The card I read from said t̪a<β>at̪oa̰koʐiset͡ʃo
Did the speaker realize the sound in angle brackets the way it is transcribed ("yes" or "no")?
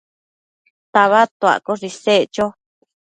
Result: yes